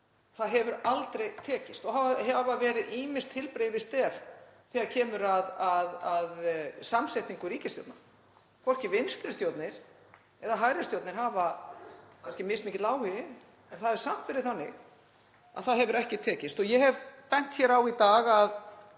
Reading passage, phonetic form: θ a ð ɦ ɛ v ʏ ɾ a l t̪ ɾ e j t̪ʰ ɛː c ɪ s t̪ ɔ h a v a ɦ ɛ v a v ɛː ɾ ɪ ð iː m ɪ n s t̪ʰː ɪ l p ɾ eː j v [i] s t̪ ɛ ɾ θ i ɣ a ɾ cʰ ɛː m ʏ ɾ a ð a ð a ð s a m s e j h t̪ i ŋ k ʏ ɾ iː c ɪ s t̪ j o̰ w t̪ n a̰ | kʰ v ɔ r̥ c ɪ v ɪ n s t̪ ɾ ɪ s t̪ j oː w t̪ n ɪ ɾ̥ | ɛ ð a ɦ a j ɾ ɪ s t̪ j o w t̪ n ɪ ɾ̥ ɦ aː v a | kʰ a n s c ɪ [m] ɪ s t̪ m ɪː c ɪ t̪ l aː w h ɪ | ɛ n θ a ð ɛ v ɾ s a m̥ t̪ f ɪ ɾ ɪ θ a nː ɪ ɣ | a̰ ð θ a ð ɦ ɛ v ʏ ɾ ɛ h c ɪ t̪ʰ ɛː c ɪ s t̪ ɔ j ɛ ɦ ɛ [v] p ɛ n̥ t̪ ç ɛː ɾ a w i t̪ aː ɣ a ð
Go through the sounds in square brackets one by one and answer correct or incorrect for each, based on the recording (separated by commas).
incorrect, correct, correct